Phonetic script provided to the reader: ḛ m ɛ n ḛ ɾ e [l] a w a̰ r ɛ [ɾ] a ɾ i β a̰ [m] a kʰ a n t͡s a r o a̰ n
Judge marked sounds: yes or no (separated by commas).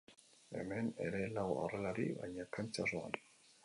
yes, no, no